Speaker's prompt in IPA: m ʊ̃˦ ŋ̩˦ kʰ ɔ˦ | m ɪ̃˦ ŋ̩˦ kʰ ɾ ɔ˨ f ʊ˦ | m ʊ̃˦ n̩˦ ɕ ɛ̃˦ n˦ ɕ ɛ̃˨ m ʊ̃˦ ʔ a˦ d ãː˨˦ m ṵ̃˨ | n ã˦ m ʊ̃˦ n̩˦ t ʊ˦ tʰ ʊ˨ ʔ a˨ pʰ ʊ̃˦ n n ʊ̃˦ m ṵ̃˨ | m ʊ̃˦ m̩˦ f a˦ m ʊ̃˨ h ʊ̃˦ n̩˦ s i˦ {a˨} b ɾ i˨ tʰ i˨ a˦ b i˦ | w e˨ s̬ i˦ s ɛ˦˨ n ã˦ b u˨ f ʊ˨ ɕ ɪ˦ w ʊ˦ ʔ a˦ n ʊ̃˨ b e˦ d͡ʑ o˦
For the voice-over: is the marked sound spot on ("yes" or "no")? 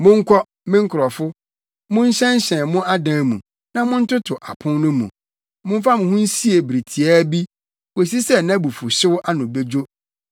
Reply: no